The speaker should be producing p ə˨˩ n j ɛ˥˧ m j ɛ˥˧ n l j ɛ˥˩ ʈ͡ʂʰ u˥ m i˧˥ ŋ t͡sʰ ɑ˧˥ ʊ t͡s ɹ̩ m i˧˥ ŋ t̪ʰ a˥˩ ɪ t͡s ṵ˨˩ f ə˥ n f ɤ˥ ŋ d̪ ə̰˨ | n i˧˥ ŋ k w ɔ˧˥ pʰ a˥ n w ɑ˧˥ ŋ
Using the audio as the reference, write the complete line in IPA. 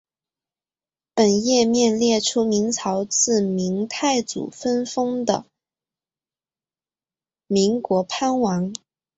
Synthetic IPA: p ə˨˩ n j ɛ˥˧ m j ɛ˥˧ n l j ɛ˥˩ ʈ͡ʂʰ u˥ m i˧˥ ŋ t͡sʰ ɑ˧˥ ʊ t͡s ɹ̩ m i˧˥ ŋ t̪ʰ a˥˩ ɪ t͡s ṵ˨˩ f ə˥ n f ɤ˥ ŋ d̪ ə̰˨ | m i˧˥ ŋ k w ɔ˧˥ pʰ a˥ n w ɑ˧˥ ŋ